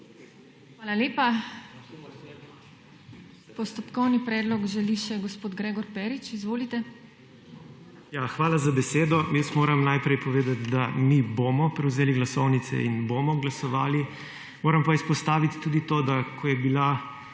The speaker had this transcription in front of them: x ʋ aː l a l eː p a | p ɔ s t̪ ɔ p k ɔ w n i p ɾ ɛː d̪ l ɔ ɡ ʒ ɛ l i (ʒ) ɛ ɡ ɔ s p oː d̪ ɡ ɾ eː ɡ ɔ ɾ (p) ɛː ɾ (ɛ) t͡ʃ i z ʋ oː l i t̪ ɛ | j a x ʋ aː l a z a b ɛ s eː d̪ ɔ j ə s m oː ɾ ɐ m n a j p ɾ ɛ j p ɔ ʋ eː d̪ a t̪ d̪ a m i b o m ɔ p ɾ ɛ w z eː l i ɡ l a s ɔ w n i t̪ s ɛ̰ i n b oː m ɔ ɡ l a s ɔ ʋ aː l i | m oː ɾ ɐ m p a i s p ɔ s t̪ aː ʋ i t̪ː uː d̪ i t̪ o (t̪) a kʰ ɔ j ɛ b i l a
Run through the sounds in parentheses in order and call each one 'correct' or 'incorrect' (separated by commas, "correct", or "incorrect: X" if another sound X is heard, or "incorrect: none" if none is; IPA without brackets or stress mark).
incorrect: ʃ, correct, incorrect: i, incorrect: d̪